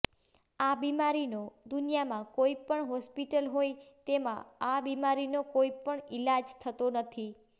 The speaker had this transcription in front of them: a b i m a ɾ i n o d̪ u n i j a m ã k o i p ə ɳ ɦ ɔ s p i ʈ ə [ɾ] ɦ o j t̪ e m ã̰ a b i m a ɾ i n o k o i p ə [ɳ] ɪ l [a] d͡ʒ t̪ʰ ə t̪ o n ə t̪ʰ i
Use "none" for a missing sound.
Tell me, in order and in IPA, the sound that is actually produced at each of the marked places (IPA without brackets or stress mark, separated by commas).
l, ɳ, a